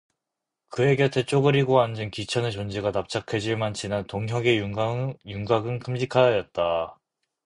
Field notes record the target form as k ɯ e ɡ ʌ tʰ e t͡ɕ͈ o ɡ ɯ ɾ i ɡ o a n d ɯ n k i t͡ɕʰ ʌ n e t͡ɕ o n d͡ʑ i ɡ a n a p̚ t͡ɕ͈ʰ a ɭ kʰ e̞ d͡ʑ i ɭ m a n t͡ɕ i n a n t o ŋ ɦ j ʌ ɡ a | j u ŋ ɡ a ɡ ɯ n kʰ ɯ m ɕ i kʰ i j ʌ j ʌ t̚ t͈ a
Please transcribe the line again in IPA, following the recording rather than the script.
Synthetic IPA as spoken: k ɯ e ɡ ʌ tʰ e t͡ɕ͈ o ɡ ɯ ɾ i ɡ o a n d͡ʑ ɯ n k i t͡ɕʰ ʌ n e t͡ɕ o n d͡ʑ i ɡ a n a p̚ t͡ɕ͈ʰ a kʰ e̞ d͡ʑ i ɭ m a n t͡ɕ i n a n t o ŋ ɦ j ʌ ɡ e | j u ŋ ɡ a ɡ ɯ n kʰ ɯ m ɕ i kʰ a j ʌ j ʌ t̚ t͈ a